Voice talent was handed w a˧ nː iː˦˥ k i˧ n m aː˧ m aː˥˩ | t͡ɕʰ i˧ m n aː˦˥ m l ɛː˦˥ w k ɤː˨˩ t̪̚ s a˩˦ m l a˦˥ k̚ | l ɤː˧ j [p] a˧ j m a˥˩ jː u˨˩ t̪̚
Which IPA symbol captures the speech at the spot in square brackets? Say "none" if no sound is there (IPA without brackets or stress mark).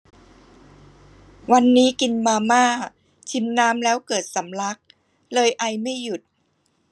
ʔ